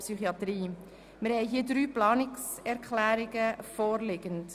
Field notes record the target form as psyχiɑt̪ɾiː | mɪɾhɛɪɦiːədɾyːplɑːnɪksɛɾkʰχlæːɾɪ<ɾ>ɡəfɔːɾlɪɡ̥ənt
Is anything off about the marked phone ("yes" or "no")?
yes